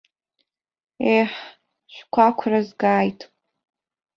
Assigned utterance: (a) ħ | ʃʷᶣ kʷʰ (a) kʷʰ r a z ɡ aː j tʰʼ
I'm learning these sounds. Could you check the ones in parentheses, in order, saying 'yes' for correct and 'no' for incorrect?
no, yes

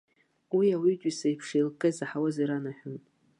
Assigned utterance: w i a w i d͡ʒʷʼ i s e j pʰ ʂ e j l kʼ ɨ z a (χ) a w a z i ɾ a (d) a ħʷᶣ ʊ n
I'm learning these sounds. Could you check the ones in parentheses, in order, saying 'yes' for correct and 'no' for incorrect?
no, no

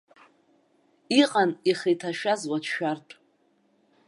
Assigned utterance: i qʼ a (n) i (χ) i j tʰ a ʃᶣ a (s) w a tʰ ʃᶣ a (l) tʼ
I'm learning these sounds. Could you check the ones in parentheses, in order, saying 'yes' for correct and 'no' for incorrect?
yes, yes, no, no

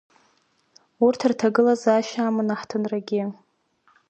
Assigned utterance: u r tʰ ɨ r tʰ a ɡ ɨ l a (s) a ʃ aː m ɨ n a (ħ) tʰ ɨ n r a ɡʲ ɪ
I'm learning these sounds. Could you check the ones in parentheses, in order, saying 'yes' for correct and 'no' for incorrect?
no, yes

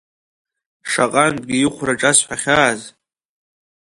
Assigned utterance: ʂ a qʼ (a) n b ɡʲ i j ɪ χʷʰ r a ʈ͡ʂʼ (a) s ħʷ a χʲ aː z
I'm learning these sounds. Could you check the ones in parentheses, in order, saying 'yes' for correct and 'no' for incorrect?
yes, yes

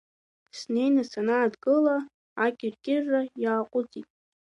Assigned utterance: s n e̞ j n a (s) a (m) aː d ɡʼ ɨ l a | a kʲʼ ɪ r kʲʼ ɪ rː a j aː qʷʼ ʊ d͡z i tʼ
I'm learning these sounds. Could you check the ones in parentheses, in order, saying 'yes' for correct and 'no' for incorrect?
yes, no

